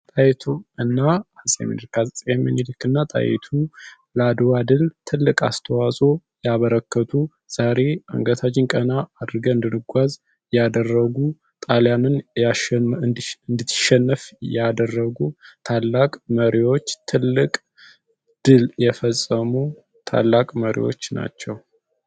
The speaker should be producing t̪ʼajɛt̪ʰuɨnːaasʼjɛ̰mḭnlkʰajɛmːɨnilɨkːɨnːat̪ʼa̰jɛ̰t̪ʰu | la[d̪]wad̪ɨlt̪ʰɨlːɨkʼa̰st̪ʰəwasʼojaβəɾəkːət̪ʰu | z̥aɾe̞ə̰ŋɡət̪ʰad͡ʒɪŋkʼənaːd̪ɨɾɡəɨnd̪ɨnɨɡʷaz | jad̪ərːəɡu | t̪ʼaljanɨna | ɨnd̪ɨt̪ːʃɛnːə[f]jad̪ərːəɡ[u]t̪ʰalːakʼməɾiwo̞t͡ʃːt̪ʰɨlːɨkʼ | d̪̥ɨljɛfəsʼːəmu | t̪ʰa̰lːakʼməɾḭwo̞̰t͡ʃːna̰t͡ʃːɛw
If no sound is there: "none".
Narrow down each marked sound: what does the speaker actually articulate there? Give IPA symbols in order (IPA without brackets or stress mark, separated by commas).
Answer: d̪, f, u